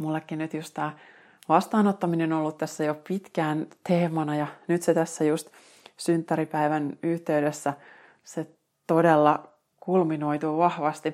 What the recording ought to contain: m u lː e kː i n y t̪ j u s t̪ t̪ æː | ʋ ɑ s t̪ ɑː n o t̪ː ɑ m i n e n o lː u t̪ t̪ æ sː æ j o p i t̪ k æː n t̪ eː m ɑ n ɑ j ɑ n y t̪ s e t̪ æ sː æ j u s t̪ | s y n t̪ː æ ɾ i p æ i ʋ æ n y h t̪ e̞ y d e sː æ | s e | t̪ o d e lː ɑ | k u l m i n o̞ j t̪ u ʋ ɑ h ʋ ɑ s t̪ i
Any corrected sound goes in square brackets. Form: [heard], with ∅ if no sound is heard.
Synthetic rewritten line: m u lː e kː i n y t̪ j u s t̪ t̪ æː | ʋ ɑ s t̪ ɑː n o t̪ː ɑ m i n e n o lː u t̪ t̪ æ sː æ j o p i t̪ k æː n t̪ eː m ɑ n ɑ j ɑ n y t̪ s e t̪ æ sː æ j u s t̪ | s y n t̪ː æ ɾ i p æ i ʋ æ n y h t̪ e̞ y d e sː æ | s e | t̪ o d e lː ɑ | k u l m i n o̞ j t̪ u ʋ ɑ h ʋ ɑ s t̪ i